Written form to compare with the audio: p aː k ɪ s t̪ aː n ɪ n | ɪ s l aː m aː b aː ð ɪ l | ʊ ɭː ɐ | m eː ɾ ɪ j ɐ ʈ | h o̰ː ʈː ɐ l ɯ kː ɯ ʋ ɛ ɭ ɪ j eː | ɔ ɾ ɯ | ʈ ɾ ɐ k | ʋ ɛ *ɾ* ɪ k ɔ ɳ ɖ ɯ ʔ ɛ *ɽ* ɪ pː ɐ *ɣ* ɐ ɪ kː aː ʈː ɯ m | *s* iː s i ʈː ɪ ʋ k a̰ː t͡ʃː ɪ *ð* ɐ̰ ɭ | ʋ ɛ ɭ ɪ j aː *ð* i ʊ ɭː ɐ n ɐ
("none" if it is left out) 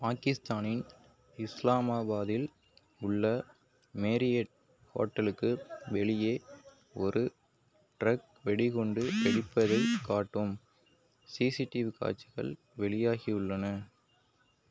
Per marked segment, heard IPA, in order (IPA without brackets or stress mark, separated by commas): ɽ, ɽ, ð, s, ɣ, ɣ